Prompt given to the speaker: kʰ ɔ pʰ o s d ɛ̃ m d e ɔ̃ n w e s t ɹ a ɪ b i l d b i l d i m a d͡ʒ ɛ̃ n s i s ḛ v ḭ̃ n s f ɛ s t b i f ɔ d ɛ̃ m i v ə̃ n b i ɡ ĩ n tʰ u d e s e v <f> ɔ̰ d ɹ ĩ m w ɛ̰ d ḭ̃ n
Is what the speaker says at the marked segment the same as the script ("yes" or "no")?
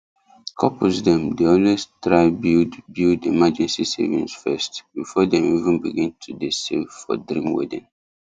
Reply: yes